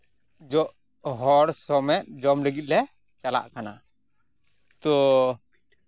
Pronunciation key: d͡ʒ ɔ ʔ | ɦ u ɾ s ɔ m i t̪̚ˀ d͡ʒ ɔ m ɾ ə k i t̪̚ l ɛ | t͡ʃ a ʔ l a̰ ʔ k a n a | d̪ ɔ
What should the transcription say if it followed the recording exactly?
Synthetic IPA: d͡ʒ ɔ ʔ | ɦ ɔ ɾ s ɔ m ɛ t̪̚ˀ d͡ʒ ɔ m l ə ɡ i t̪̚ l ɛ | t͡ʃ a l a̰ ʔ k a n a | t̪ ɔ

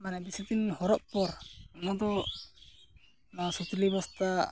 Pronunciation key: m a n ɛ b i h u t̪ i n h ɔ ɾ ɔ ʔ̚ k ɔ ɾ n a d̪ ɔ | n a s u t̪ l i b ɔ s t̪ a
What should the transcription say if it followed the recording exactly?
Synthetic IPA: m a n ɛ b i s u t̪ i n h ɔ ɾ ɔ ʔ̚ p ɔ ɾ n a d̪ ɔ | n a s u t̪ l i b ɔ s t̪ a

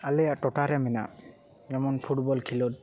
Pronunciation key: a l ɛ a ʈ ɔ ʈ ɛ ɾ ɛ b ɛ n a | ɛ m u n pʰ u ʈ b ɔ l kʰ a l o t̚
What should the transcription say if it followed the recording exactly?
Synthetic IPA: a l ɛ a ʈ ɔ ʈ a ɾ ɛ m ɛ n a | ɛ m ɔ n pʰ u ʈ b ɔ l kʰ i l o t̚

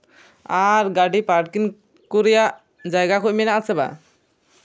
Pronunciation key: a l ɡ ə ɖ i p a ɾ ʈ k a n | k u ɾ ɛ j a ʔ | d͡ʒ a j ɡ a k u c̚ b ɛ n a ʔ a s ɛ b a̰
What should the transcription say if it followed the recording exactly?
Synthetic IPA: a ɾ ɡ a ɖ i p a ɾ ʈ k i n | k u ɾ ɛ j a ʔ | d͡ʒ a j ɡ a k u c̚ m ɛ n a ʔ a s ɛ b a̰

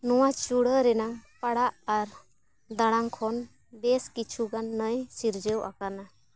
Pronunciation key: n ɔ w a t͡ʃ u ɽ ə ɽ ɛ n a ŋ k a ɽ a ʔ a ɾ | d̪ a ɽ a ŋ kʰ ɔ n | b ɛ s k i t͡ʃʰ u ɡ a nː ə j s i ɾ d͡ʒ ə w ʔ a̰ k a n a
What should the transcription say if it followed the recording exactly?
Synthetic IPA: n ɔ w a t͡ʃ u ɽ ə ɾ ɛ n a ŋ p a ɽ a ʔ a ɾ | d̪ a ɽ a ŋ kʰ ɔ n | b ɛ s k i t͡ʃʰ u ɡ a nː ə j s i ɾ d͡ʒ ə w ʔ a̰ k a n a

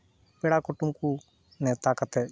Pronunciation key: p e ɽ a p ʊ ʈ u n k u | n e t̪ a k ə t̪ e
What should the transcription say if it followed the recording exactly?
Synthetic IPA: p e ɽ a k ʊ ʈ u m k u | n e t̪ a k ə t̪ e

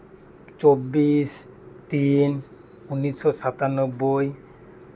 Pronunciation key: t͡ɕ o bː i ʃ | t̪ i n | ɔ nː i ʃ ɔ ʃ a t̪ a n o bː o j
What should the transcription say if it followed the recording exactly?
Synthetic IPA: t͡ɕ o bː i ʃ | t̪ i n | u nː i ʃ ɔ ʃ a t̪ a n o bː o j

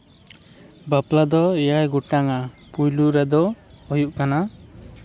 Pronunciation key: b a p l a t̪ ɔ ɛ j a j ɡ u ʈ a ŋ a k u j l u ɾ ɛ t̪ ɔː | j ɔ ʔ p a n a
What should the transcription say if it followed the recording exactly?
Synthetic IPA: b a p l a d̪ ɔ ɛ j a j ɡ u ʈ a ŋ a p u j l u ɾ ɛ d̪ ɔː | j u ʔ k a n a

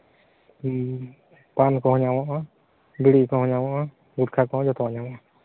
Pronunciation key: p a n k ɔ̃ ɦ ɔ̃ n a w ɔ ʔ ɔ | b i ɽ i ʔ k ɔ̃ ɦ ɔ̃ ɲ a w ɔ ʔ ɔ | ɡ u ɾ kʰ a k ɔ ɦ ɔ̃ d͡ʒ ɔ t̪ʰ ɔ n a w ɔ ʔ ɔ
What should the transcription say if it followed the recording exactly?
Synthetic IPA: p a n k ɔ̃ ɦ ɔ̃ ɲ a w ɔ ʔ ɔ | b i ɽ i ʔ k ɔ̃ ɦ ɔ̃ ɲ a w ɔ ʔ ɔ | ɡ u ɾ kʰ a k ɔ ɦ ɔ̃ d͡ʒ ɔ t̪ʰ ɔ ɲ a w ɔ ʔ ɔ

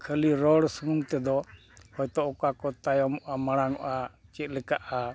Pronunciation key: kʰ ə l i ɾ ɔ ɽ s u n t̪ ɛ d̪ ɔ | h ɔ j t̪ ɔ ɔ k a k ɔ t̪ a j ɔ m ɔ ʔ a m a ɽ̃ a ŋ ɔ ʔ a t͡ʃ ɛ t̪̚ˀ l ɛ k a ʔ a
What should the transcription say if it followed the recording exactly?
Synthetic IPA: kʰ ə l i ɾ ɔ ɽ s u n t̪ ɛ d̪ ɔ | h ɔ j t̪ ɔ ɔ k a k ɔ t̪ a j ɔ m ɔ ʔ a m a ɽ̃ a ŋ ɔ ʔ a t͡ʃ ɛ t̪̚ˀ l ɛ k a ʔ a

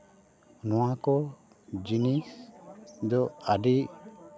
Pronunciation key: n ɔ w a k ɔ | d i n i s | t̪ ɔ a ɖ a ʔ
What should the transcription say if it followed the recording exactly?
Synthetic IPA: n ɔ w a k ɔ | d͡ʒ i n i s | d̪ ɔ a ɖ i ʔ

